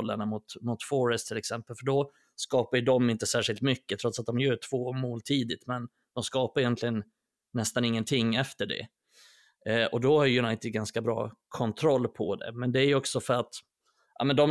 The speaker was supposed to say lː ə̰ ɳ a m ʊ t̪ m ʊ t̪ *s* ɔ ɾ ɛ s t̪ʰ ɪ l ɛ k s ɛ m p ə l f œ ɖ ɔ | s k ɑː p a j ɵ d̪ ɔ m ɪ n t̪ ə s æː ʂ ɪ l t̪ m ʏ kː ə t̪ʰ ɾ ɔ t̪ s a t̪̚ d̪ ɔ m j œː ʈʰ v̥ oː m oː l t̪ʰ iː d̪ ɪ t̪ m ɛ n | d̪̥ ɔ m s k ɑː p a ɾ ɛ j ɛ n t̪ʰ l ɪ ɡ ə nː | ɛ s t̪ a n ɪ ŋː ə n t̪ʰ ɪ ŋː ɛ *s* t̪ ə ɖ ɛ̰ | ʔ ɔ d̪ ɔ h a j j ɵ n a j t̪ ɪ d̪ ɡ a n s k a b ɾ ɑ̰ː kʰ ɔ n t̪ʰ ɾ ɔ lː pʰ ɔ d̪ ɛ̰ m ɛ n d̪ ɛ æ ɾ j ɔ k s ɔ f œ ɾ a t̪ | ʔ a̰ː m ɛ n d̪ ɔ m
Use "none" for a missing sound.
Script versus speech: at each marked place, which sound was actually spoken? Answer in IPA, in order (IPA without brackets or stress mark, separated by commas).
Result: f, f